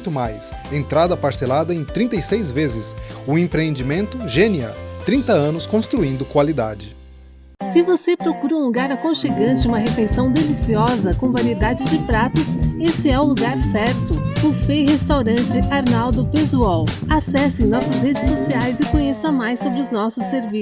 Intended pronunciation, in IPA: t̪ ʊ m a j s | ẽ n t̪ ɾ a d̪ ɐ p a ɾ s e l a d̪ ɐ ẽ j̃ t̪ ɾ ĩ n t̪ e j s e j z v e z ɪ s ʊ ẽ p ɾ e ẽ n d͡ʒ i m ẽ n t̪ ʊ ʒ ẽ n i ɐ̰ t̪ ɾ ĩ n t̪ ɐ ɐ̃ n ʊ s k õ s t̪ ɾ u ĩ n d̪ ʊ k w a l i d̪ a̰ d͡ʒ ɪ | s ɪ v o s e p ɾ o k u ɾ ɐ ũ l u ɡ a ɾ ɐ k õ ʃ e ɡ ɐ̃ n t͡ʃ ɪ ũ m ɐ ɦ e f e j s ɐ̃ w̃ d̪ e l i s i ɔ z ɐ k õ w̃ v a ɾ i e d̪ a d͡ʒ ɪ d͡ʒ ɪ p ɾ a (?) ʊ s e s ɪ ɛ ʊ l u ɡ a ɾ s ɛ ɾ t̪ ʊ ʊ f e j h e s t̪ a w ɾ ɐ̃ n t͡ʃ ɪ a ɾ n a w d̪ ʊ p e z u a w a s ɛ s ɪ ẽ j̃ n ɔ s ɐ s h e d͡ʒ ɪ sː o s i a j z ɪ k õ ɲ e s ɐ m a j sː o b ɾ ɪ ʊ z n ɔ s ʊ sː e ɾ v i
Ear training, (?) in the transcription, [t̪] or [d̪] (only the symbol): t̪